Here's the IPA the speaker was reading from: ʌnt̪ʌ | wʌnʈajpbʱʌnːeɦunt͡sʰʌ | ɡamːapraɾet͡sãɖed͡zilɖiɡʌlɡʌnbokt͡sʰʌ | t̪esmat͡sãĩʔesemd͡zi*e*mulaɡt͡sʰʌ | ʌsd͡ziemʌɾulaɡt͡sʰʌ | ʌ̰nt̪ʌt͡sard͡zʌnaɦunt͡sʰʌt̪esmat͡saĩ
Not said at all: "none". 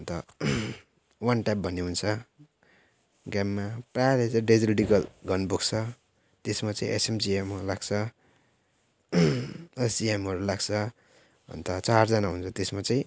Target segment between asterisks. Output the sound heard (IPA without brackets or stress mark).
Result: e